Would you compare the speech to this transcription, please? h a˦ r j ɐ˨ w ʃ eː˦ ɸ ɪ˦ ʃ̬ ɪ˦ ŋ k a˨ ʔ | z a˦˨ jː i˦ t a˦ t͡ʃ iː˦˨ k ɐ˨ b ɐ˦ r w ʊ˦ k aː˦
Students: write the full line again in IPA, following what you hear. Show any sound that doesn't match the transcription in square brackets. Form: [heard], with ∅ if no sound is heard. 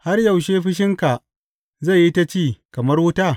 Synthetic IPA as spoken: h a˦ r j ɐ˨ w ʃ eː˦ ɸ ɪ˦ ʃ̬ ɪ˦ ŋ k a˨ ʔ | z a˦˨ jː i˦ t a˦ t͡ʃ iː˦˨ k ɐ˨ [m] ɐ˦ r w ʊ˦ [t] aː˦